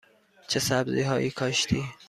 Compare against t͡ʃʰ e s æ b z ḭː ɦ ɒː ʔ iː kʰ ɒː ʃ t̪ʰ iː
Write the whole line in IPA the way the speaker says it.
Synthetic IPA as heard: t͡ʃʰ e s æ b z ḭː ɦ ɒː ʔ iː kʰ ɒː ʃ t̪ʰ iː